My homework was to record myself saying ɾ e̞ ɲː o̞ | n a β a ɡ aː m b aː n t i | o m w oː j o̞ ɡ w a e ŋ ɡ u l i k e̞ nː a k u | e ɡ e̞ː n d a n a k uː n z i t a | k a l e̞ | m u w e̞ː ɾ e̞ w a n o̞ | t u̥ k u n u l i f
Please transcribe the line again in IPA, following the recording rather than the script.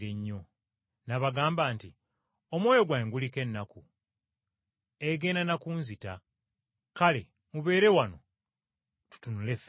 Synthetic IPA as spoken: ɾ e̞ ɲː o̞ | n a β a ɡ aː m b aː n t i | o m w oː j o̞ ɡ w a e ŋ ɡ u l i k e̞ nː a k u | e ɡ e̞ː n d a n a k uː n z i t a | k a l e̞ | m u β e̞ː ɾ e̞ w a n o̞ | t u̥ t u n u l e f